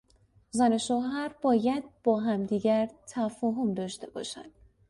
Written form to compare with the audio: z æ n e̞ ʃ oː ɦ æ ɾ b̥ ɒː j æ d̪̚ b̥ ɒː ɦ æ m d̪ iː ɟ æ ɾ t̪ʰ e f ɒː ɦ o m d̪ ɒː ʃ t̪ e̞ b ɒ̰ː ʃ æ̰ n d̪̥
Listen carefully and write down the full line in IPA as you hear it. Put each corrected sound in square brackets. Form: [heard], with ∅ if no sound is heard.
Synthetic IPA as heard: z æ n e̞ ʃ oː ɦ æ ɾ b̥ ɒː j æ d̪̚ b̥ ɒː ɦ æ m d̪ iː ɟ æ ɾ t̪ʰ [æ] f ɒː ɦ o m d̪ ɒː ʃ t̪ e̞ b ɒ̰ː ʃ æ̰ n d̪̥